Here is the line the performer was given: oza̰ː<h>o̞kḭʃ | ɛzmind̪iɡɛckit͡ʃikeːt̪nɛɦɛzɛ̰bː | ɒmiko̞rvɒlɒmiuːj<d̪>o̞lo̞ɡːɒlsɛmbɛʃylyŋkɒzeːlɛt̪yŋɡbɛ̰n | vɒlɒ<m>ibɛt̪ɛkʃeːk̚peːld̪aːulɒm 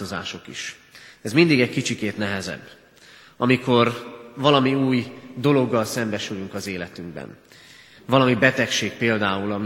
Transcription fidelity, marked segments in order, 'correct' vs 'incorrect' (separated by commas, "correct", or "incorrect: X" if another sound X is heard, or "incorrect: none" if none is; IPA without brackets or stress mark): incorrect: ʃ, correct, correct